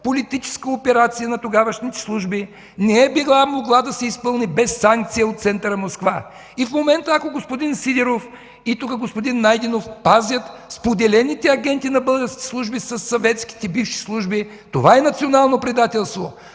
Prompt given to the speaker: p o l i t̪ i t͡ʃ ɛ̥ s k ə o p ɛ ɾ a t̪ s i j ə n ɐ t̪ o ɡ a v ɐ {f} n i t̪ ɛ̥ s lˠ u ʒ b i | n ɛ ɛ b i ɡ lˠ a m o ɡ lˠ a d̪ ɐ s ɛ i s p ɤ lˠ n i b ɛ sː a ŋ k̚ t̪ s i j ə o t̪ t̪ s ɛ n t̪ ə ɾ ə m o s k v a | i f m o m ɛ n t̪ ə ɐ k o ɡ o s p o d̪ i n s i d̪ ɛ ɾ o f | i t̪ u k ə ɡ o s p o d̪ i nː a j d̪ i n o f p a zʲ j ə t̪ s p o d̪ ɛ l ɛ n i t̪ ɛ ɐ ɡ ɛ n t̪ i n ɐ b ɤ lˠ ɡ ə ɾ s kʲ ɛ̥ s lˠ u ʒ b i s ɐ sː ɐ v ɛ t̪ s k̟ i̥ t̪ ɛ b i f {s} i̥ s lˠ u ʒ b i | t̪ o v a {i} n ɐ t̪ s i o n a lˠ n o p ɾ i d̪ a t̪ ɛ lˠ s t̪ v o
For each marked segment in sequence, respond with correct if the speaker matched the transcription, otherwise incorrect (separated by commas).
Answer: incorrect, incorrect, incorrect